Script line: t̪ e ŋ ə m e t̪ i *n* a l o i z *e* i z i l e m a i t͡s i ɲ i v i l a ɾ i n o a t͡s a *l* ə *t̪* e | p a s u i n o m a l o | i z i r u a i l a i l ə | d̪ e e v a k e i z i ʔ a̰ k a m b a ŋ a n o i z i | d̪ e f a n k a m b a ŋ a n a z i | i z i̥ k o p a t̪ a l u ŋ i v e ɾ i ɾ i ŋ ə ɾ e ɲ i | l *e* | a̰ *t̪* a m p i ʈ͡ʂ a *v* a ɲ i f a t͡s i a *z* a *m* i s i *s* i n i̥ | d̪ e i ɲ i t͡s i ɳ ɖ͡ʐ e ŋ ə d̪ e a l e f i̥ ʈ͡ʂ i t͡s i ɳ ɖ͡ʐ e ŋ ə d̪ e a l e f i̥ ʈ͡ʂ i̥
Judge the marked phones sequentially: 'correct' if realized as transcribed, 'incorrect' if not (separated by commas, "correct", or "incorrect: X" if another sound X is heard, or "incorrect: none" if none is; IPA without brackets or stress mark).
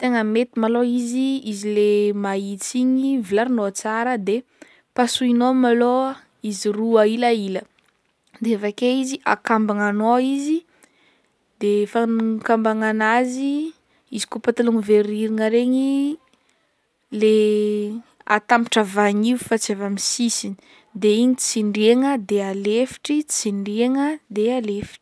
incorrect: m, incorrect: i, incorrect: ɾ, incorrect: d̪, correct, correct, correct, incorrect: v, correct, correct